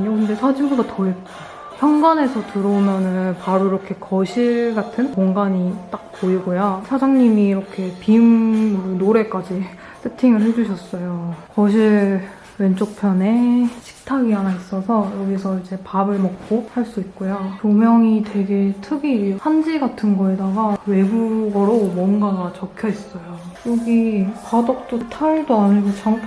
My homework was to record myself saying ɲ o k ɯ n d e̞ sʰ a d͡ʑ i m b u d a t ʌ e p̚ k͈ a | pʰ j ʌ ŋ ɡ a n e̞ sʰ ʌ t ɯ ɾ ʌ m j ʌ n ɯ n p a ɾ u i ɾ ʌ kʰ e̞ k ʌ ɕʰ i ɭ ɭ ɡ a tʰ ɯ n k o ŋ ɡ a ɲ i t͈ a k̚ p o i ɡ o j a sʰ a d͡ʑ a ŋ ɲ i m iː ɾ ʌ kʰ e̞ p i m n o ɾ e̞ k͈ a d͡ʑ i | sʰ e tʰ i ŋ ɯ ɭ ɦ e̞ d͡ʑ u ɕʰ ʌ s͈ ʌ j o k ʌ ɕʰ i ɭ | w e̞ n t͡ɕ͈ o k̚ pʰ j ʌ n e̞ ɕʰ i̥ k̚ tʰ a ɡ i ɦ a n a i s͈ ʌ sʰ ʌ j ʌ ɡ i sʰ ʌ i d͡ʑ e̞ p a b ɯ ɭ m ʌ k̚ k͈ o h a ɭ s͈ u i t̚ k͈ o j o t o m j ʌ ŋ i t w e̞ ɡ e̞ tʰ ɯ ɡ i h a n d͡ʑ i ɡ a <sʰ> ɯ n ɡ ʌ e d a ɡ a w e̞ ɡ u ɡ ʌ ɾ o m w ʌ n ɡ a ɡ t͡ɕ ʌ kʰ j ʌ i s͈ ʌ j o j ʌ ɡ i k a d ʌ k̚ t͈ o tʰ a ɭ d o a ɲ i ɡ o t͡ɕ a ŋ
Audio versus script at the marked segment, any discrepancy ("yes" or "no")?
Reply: yes